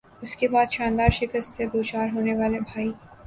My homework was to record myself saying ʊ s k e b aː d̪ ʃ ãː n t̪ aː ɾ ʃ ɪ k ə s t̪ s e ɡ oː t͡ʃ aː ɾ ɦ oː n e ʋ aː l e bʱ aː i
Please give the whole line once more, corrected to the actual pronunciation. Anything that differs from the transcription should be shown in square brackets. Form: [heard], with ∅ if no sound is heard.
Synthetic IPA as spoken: ʊ s k e b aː d̪ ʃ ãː n [d̪] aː ɾ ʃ ɪ k ə s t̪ s e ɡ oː t͡ʃ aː ɾ ɦ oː n e ʋ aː l e bʱ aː i